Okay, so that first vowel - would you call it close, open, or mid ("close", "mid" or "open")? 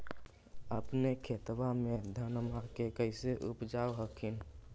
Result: mid